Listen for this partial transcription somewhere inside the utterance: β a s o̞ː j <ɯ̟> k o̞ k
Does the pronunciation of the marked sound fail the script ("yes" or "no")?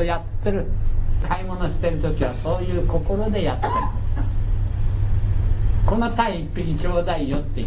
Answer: yes